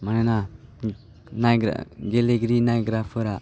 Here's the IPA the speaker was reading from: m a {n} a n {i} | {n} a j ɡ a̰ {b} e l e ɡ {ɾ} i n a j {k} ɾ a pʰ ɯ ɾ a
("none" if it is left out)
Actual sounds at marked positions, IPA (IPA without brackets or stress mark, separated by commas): n, a, n, ɡ, ɾ, ɡ